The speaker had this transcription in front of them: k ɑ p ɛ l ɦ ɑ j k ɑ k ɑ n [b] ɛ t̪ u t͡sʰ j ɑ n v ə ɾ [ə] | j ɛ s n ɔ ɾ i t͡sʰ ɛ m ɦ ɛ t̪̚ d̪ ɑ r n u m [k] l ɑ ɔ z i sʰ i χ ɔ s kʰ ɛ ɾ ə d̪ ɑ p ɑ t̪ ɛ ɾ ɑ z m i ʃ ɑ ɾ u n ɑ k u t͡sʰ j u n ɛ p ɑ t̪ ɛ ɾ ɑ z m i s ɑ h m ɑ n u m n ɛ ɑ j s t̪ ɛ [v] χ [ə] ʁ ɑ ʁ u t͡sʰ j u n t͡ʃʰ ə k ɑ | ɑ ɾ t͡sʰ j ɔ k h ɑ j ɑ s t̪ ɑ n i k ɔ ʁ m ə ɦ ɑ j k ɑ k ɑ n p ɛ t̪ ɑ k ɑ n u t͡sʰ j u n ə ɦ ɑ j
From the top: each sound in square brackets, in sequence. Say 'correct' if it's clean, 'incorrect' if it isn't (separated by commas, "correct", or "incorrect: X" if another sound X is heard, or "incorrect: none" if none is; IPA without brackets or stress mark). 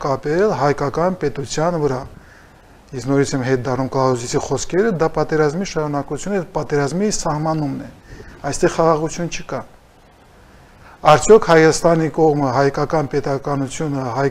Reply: incorrect: p, incorrect: ɑ, correct, incorrect: ʁ, incorrect: ɑ